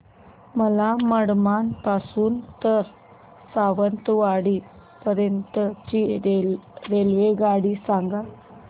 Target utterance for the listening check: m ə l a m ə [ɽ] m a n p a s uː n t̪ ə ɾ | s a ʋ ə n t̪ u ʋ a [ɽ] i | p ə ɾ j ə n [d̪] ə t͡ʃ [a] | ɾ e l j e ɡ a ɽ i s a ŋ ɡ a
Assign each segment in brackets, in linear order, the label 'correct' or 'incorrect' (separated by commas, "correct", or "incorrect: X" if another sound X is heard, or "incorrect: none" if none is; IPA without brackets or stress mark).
correct, correct, incorrect: t̪, incorrect: i